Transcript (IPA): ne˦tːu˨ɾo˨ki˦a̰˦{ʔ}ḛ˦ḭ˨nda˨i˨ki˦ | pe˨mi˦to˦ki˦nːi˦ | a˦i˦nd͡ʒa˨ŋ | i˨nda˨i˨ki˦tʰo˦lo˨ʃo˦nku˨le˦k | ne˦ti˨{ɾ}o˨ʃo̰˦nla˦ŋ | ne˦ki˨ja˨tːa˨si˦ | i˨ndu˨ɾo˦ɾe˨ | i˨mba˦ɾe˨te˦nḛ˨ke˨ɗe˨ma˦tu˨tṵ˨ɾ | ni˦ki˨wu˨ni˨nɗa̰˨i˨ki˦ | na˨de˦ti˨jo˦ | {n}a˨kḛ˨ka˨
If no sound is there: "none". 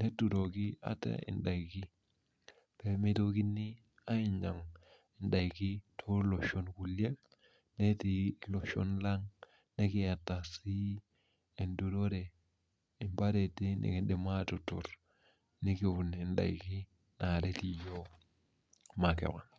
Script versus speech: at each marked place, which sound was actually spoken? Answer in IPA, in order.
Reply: t, l, m

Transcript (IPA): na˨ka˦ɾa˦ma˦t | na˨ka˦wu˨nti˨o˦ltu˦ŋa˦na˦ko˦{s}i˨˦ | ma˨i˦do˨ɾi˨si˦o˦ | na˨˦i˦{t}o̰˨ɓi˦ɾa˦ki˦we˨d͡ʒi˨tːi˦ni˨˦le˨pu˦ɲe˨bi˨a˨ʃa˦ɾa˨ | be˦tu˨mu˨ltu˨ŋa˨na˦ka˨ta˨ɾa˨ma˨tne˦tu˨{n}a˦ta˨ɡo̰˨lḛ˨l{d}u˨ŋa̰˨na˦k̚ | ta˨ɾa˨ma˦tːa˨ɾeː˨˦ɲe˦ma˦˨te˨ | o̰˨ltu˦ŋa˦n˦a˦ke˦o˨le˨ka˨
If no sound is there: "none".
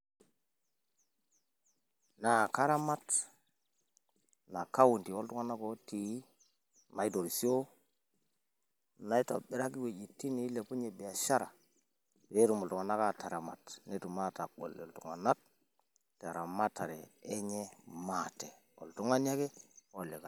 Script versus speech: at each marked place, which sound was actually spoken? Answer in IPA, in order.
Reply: t, t, m, t

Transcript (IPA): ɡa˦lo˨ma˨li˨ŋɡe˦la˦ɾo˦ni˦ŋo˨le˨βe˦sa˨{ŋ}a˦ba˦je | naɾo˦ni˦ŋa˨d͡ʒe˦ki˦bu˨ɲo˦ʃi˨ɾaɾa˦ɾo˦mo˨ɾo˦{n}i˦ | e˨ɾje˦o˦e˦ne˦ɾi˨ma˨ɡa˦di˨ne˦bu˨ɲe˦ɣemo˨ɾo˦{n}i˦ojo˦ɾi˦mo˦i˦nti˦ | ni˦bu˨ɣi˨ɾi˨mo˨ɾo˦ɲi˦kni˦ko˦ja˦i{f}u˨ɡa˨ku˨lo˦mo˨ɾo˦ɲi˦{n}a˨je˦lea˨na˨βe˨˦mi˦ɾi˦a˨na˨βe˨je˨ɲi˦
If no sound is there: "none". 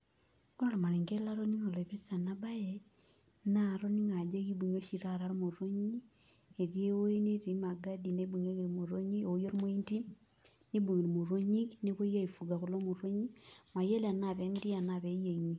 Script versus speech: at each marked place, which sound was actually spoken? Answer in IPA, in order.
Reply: n, ɲ, ɲ, f, m

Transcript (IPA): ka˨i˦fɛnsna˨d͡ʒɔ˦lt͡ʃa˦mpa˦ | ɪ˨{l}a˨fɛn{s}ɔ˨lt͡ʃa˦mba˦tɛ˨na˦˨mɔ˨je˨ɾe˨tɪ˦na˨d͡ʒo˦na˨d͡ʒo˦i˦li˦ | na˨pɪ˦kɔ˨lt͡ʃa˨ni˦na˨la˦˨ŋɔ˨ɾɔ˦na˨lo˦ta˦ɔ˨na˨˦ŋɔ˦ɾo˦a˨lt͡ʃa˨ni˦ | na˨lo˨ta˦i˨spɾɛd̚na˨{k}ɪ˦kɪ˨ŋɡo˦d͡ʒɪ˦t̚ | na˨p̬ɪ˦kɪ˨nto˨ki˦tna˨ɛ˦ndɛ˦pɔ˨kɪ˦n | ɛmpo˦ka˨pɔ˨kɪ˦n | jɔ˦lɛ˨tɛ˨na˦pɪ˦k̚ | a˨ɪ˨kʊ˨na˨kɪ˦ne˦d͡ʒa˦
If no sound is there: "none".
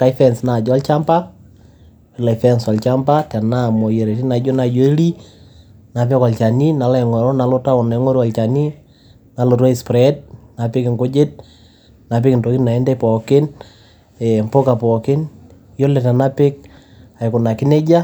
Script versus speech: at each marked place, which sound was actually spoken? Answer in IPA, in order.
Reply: l, s, p

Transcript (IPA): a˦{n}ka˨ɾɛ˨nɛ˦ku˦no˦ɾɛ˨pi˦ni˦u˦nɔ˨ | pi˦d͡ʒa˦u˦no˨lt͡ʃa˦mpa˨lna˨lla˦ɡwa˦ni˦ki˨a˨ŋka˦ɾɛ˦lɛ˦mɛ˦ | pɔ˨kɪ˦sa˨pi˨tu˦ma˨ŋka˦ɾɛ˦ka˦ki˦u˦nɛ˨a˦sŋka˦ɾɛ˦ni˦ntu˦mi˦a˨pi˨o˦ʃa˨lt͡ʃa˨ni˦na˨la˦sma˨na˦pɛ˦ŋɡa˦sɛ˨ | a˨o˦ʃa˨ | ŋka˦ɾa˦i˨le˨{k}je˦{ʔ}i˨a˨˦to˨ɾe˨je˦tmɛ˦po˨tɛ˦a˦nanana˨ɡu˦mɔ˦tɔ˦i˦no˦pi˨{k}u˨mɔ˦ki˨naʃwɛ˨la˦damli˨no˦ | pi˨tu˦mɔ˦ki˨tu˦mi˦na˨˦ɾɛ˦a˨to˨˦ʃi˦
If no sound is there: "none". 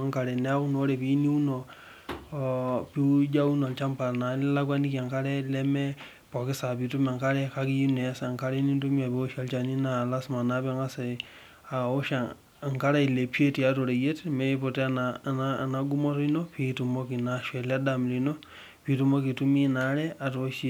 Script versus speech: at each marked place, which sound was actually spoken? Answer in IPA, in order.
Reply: ŋ, p, t, t

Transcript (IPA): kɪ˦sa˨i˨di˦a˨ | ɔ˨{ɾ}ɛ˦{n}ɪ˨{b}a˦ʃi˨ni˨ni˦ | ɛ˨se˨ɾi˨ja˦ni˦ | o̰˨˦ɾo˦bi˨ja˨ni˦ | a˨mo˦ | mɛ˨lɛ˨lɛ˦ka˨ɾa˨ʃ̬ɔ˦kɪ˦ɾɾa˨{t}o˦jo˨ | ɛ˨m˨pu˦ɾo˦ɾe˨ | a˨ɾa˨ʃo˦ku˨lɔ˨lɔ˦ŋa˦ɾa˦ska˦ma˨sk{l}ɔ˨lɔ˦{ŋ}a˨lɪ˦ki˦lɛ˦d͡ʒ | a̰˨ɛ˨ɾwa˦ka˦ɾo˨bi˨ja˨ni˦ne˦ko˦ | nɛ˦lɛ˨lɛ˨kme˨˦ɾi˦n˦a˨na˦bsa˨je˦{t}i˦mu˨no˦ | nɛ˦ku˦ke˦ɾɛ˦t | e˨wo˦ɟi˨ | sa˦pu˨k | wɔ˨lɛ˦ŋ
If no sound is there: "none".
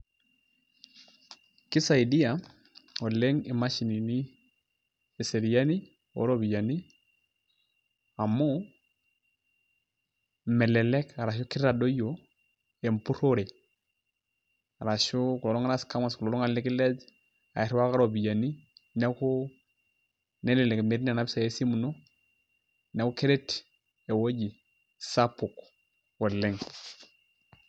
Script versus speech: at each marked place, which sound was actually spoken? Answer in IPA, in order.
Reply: l, ŋ, m, d, l, ŋ, s

